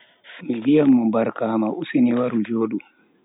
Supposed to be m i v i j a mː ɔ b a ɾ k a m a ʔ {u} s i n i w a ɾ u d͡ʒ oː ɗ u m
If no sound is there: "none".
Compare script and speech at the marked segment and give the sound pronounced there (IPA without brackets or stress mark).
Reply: u